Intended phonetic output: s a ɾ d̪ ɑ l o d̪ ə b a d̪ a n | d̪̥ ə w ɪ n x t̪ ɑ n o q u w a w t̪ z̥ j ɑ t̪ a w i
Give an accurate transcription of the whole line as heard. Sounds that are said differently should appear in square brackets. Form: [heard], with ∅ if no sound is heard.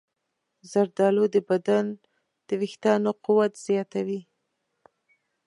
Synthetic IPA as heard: [z] a ɾ d̪ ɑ l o d̪ ə b a d̪ a n | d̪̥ ə w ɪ [∅] x t̪ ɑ n o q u w a [∅] t̪ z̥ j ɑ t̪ a w i